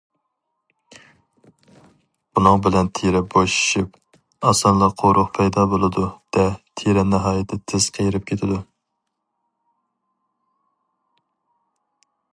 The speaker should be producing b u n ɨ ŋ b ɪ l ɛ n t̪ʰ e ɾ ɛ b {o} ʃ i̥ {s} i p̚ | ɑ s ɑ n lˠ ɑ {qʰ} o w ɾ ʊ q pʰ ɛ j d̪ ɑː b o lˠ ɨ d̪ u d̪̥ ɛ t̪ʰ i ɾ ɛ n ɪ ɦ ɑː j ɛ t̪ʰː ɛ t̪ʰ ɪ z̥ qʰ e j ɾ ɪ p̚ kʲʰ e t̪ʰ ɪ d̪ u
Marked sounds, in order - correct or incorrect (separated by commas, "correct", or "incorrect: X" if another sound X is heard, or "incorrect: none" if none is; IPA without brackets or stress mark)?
correct, incorrect: ʃ, correct